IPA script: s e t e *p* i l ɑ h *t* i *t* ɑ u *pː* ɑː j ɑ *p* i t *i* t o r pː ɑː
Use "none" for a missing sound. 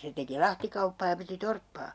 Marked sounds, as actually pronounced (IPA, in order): k, t, k, pː, p, i

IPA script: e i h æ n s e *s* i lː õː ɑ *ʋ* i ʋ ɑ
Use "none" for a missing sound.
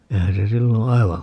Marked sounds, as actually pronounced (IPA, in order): s, none

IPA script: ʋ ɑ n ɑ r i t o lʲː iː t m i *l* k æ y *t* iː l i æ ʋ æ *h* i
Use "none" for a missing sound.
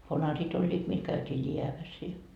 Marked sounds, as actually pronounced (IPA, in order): l, t, s

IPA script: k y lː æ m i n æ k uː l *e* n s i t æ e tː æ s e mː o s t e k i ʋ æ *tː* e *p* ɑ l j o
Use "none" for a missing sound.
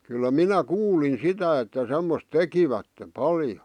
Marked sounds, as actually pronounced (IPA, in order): i, tː, p

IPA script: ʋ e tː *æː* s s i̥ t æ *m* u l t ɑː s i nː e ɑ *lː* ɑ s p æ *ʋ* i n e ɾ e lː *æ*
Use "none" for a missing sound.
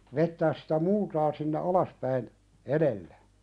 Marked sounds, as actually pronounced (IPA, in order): æː, m, l, none, æ

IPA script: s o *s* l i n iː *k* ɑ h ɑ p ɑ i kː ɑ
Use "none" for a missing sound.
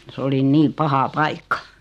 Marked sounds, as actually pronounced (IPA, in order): none, p

